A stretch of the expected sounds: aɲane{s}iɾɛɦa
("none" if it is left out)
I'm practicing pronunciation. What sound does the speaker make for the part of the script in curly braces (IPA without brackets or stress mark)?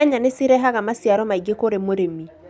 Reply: s